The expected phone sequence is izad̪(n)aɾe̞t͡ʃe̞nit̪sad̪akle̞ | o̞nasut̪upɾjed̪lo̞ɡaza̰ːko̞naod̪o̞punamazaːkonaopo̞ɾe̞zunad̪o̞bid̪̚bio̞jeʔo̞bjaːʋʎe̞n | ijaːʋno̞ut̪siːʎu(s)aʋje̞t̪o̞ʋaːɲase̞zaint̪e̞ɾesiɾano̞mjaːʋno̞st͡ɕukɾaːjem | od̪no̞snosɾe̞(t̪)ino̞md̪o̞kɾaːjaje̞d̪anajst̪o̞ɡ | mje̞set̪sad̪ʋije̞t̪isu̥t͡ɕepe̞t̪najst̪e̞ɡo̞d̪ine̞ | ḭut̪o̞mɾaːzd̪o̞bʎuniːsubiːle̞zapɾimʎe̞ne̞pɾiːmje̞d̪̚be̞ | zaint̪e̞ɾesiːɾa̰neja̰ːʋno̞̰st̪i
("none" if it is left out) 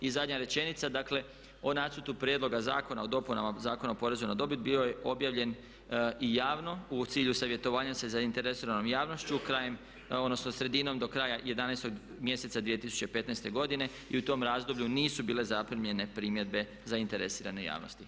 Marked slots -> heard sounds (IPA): ɲ, s, d̪

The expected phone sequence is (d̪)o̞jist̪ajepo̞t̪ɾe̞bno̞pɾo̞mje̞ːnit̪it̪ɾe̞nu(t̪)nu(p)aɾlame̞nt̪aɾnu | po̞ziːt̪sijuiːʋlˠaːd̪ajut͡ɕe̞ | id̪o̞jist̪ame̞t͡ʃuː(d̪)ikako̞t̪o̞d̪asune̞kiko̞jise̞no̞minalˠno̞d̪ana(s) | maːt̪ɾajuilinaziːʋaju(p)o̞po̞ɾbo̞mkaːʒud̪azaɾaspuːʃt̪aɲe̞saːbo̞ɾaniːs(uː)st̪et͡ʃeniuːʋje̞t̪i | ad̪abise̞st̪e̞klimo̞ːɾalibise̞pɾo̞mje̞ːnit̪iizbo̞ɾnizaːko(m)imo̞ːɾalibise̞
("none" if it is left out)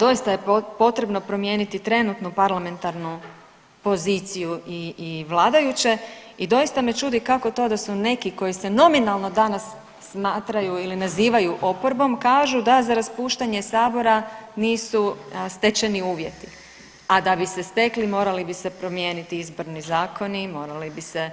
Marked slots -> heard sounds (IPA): d̪, t̪, p, d̪, sː, ʔ, u, n

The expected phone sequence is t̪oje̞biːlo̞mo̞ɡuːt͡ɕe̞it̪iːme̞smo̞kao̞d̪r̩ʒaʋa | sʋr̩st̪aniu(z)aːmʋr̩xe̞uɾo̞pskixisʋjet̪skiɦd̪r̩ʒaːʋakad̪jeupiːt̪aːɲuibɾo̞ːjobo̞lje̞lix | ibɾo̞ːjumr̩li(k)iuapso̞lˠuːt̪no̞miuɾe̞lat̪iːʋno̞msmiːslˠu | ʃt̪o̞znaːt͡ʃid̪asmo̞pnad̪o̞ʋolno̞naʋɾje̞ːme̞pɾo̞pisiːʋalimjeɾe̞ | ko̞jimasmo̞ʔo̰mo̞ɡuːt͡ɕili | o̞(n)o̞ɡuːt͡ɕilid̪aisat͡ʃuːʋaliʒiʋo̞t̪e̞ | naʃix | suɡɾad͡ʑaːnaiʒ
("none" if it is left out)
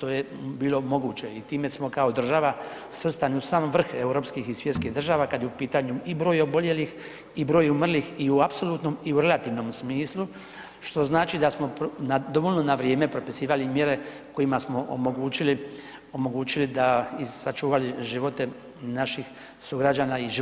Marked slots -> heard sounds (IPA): s, x, m

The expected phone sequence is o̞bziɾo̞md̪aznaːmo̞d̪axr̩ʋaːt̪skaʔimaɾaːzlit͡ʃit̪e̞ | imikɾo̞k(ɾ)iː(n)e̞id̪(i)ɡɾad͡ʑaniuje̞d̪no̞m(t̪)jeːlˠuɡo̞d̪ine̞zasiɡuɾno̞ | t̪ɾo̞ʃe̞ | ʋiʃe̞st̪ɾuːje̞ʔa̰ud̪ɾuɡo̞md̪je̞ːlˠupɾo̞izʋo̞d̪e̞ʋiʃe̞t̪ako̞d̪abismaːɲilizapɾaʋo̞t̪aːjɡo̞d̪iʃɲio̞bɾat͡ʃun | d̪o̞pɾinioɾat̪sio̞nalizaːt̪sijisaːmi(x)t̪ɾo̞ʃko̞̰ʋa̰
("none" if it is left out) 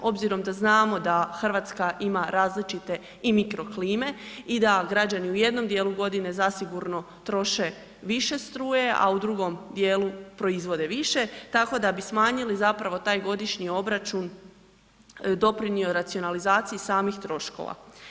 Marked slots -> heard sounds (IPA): l, m, a, d̪, x

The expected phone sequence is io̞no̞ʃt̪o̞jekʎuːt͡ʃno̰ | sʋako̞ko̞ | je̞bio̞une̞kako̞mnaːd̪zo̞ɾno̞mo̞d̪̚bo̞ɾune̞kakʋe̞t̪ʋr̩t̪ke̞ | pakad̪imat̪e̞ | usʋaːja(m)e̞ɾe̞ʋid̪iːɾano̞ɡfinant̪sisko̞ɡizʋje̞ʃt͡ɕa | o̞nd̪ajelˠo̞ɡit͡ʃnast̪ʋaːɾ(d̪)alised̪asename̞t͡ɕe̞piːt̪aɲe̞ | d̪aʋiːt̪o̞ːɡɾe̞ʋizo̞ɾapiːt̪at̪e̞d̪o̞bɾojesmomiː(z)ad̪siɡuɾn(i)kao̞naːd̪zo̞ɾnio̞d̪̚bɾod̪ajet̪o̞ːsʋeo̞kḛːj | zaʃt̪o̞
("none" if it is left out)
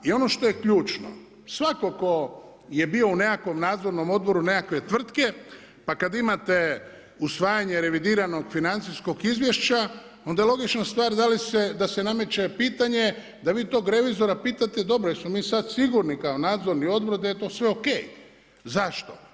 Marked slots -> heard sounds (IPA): ɲ, d̪, s, i

